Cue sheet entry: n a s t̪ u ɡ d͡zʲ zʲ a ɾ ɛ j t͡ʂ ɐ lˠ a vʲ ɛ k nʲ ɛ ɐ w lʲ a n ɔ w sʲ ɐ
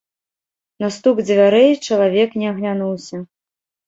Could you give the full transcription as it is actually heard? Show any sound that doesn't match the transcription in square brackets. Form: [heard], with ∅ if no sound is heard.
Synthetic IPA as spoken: n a s t̪ u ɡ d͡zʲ [vʲ] a ɾ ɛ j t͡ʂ ɐ lˠ a vʲ ɛ k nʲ ɛ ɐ [ɣ] lʲ a n [u] w sʲ ɐ